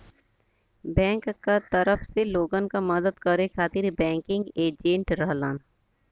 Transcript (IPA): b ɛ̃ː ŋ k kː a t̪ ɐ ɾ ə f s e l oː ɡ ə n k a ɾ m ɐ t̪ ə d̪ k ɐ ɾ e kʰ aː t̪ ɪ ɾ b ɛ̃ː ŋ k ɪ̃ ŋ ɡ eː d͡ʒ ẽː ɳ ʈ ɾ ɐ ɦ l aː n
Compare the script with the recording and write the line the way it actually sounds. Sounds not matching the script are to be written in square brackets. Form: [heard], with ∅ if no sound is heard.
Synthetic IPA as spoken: b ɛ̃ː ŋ k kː a t̪ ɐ ɾ ə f s e l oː ɡ ə n k a [∅] m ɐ [d̪] ə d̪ k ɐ ɾ e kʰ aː t̪ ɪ ɾ b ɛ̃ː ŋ k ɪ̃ ŋ ɡ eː d͡ʒ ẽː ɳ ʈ ɾ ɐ ɦ l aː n

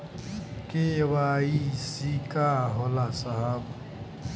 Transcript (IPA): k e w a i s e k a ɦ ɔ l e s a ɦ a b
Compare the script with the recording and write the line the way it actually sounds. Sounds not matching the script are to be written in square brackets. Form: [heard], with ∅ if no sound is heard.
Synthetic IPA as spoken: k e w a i s [i] k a ɦ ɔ l [a] s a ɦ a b

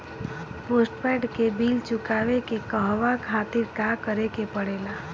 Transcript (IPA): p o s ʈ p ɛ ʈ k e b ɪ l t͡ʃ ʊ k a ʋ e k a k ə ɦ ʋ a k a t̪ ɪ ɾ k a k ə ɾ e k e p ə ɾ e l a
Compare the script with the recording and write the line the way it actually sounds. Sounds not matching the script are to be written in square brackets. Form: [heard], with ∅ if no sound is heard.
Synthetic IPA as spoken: p o s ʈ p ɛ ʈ k e b [i] l t͡ʃ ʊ k a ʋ e k [e] k ə ɦ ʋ a [kʰ] a t̪ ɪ ɾ k a k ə ɾ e k e p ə [ɽ] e l a

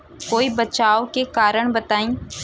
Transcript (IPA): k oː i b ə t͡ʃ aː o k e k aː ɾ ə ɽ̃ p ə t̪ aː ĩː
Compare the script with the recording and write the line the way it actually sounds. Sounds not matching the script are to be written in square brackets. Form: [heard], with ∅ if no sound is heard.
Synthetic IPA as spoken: k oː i b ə t͡ʃ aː o k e k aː ɾ ə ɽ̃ [b] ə t̪ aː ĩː

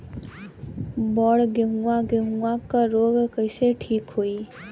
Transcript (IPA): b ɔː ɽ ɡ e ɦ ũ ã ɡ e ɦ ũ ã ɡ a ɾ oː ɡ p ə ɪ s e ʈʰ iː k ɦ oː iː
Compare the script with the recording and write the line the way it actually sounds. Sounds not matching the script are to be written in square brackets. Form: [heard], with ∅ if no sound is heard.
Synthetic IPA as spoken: b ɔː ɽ ɡ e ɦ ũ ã ɡ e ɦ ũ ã [k] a ɾ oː ɡ [k] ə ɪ s e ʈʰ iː k ɦ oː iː

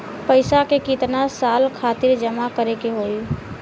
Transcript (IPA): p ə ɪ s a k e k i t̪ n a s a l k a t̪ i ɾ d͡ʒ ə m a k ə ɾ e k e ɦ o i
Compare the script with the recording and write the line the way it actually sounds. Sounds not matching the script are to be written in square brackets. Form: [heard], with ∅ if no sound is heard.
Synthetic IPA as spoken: p ə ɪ s a k e k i t̪ n a s a l [kʰ] a t̪ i ɾ d͡ʒ ə m a k ə ɾ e k e ɦ o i

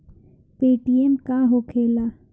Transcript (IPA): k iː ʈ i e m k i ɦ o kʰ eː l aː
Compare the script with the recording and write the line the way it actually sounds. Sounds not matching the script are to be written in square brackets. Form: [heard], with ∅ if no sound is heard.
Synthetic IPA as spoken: [p] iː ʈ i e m k [a] ɦ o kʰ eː l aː

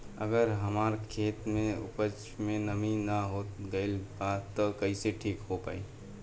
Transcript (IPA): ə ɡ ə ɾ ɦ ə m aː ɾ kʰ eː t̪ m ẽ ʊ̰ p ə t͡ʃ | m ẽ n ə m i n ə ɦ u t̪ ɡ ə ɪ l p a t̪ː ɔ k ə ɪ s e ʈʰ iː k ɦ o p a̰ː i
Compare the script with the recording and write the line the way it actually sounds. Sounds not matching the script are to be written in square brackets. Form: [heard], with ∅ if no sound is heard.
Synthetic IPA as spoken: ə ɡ ə ɾ ɦ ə m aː ɾ kʰ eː t̪ m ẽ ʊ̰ p ə t͡ʃ | m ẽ n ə m i n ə ɦ [o] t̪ ɡ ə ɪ l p a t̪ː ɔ k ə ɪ s e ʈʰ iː k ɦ o p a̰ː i

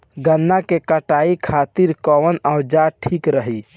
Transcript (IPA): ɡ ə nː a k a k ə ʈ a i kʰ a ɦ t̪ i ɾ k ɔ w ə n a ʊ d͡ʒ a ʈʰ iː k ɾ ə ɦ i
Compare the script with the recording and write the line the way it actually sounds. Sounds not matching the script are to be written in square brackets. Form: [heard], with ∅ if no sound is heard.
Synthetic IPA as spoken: ɡ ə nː a k [e] k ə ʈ a i kʰ a [∅] t̪ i ɾ k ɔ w ə n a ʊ d͡ʒ a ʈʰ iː k ɾ ə ɦ i

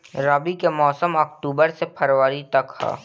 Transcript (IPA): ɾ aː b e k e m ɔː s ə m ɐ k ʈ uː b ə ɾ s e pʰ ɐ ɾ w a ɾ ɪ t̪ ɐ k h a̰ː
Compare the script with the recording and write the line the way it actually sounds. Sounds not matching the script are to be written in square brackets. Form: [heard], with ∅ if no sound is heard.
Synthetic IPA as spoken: ɾ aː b [i] k e m ɔː s ə m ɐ k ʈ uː b ə ɾ s e pʰ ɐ ɾ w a ɾ [i] t̪ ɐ k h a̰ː

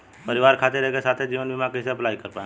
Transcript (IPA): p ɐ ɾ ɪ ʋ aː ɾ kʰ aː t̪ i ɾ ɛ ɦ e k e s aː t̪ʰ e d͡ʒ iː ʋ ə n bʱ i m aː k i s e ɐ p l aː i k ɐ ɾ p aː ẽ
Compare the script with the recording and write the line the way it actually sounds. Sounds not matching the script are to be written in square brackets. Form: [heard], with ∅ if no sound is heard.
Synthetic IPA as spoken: p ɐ ɾ ɪ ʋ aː ɾ kʰ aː t̪ [e] ɾ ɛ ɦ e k e s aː t̪ʰ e d͡ʒ iː ʋ ə n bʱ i m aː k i s e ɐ p l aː i k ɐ ɾ p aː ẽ

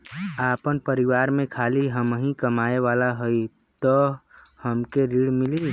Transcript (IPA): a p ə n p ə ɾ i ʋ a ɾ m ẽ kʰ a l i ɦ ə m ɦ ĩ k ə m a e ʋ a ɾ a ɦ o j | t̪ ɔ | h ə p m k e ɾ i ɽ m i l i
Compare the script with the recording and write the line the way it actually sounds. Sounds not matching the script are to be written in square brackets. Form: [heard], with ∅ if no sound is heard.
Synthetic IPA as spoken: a p ə n p ə ɾ i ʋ a ɾ m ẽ kʰ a l i ɦ ə m ɦ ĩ k ə m a e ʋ a [l] a ɦ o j | t̪ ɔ | h ə [∅] m k e ɾ i ɽ m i l i

